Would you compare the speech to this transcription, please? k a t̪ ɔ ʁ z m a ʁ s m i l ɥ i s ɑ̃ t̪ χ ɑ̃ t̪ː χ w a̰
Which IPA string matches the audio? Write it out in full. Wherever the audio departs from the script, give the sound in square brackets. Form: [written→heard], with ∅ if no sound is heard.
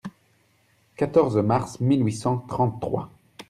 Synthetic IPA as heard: k a t̪ ɔ ʁ z m a ʁ s m i l ɥ i s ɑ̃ t̪ χ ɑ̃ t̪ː χ w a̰